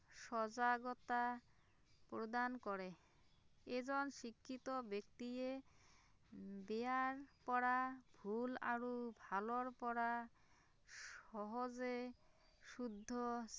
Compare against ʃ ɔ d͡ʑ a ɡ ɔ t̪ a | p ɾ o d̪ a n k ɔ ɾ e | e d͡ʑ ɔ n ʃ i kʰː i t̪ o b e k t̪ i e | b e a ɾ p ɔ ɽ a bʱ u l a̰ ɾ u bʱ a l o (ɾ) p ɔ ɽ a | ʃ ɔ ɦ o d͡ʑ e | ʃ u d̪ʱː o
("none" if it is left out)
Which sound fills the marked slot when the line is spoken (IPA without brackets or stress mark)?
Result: ɾ